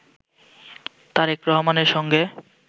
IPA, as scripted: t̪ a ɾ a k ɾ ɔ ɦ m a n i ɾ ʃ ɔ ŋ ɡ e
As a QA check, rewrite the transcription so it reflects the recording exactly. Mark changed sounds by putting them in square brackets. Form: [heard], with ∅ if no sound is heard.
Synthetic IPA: t̪ a ɾ [e] k ɾ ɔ ɦ m a n [e] ɾ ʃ ɔ ŋ ɡ e